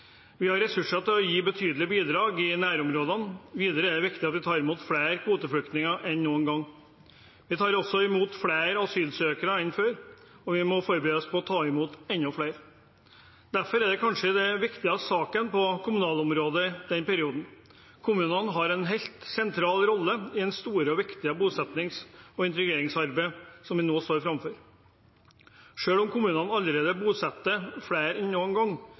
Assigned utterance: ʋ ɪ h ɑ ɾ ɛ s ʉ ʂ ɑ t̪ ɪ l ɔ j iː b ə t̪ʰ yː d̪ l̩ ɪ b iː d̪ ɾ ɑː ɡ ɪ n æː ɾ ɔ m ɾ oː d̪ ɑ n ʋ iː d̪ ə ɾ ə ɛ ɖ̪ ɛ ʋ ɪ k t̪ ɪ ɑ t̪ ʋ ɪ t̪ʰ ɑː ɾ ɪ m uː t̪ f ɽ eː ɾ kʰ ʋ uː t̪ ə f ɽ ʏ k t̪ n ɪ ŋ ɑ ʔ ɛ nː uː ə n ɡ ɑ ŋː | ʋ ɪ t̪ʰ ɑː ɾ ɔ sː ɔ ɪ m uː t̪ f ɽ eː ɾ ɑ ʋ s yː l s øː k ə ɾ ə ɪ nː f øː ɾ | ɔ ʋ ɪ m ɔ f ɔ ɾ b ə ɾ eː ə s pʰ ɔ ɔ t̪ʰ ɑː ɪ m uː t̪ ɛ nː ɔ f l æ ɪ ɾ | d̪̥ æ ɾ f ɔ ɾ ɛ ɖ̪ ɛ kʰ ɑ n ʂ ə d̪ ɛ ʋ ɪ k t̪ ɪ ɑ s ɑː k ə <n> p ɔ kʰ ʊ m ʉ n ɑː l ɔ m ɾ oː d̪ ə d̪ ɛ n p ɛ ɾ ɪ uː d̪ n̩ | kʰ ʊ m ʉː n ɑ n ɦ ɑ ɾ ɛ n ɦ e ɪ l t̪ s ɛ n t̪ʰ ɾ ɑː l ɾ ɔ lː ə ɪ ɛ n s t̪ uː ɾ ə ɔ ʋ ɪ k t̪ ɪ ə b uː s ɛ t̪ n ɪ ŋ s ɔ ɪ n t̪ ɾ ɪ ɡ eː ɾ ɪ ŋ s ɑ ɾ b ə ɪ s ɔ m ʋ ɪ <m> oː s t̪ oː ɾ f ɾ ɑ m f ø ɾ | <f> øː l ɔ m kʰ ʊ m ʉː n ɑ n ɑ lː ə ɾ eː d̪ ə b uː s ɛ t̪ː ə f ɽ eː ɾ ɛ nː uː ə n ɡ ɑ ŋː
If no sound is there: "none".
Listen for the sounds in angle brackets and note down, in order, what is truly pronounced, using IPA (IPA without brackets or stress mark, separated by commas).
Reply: n, n, ʂ